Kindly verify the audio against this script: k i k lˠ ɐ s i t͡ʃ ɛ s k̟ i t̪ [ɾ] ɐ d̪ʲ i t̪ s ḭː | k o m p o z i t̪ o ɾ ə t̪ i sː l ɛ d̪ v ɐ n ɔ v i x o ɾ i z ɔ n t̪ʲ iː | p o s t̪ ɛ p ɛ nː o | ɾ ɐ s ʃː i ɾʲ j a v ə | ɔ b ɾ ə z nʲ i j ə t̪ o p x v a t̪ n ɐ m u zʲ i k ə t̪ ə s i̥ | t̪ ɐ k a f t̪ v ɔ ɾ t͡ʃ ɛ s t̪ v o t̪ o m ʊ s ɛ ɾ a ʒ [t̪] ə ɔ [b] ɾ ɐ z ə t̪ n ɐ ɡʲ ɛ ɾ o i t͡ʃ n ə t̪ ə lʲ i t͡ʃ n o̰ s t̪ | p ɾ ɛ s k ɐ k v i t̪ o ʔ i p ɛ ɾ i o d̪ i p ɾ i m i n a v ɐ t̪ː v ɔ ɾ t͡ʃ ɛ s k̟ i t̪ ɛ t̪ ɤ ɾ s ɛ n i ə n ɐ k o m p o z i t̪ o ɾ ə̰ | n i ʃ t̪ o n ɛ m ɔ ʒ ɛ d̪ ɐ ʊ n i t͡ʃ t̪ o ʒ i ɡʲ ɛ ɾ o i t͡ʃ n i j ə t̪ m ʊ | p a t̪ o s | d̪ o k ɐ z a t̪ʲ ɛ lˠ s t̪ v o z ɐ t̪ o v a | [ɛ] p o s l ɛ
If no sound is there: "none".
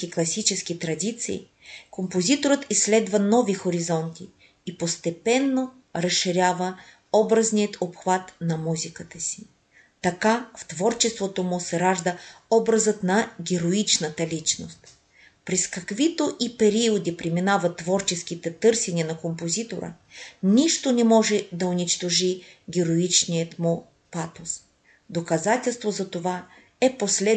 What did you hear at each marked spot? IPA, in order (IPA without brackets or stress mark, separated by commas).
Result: ɾ, d̪, b, ɛ